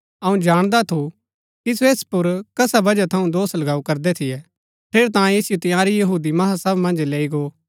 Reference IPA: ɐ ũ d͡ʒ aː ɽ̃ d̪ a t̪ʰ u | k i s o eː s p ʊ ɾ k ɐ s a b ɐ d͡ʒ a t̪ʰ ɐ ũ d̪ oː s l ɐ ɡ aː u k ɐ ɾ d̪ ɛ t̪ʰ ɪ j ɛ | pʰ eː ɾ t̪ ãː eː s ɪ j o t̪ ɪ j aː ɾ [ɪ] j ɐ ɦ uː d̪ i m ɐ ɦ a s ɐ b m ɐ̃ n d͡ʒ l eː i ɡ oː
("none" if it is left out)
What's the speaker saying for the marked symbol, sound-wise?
i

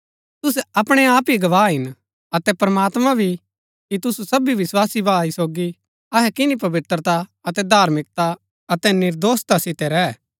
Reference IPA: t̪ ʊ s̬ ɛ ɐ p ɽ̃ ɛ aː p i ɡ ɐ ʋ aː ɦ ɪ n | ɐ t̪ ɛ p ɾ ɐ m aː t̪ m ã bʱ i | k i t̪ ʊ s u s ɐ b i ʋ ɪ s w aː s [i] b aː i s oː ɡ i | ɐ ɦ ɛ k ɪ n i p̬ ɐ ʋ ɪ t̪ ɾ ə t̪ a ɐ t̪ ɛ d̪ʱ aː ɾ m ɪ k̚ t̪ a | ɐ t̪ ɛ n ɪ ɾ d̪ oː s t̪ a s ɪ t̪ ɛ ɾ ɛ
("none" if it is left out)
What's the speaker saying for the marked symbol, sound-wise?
i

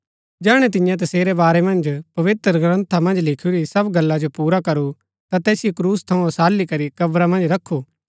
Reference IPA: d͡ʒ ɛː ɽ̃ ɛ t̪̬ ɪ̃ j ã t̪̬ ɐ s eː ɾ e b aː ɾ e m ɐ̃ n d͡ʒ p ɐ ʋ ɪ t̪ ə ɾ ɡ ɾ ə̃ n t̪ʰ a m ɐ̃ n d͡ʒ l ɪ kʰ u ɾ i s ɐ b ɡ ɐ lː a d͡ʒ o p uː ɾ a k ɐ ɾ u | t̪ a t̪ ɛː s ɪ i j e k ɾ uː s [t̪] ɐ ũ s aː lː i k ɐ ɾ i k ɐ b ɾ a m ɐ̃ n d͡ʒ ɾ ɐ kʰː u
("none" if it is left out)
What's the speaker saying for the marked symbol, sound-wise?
t̪ʰ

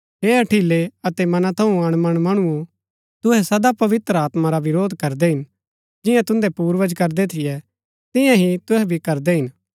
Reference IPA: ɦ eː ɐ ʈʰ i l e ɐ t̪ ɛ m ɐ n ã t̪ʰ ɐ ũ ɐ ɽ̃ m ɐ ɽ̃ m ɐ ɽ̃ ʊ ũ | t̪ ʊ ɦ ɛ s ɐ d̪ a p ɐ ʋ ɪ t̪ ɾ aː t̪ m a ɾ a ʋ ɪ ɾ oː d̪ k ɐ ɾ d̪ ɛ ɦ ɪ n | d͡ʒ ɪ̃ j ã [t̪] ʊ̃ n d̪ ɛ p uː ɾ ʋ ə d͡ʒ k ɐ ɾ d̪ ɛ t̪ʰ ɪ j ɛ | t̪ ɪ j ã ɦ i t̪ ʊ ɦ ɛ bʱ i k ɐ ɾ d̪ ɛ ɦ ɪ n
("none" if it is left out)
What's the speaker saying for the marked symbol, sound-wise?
t̪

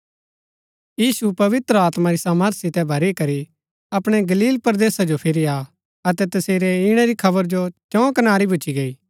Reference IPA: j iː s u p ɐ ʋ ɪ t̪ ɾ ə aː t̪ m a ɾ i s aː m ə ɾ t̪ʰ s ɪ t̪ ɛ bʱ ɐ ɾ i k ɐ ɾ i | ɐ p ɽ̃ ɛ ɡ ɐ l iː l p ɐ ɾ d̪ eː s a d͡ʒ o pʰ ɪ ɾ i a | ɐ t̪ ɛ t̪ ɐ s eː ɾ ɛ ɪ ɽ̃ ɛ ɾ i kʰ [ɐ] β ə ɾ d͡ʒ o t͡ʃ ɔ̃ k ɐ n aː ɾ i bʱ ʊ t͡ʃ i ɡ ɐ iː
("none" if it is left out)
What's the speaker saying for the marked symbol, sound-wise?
ɐ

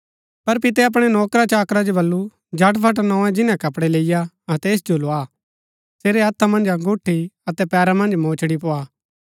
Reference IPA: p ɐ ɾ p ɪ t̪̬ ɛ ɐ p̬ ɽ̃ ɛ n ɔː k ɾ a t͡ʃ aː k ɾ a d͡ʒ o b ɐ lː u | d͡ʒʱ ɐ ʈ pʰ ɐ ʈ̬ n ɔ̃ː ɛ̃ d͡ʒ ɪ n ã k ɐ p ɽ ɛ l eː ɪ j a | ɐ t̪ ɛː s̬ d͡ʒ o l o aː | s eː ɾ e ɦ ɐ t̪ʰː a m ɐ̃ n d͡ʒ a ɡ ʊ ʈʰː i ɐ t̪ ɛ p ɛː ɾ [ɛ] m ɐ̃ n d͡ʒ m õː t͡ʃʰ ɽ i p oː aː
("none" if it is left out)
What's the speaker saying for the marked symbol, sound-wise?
a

